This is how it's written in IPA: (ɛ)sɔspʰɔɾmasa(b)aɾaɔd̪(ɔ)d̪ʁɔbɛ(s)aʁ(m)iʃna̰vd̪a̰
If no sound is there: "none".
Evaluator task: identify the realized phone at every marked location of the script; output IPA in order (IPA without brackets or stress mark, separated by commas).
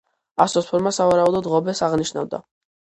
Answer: a, v, ɔ, s, n